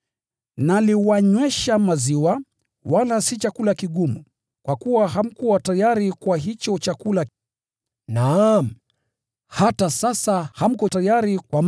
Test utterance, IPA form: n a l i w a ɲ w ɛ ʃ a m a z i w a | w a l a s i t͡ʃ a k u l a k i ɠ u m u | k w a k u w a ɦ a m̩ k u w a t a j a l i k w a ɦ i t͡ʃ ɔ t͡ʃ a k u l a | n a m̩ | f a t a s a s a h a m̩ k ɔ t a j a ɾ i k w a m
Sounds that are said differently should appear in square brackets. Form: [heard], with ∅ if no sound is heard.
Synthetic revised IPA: n a l i w a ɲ w ɛ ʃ a m a z i w a | w a l a s i t͡ʃ a k u l a k i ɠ u m u | k w a k u w a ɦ a m̩ k u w a t a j a [ɾ] i k w a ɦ i t͡ʃ ɔ t͡ʃ a k u l a | n a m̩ | [h] a t a s a s a h a m̩ k ɔ t a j a ɾ i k w a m